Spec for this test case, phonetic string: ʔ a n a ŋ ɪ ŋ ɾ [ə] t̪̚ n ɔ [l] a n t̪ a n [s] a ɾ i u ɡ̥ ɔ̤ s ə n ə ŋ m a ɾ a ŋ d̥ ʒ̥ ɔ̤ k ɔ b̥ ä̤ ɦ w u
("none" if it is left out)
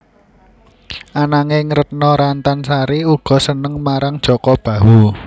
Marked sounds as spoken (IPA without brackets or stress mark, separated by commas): ə, ɾ, s